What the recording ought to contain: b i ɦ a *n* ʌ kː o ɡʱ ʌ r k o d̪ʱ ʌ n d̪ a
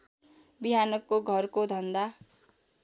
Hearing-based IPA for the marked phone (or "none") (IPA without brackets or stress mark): n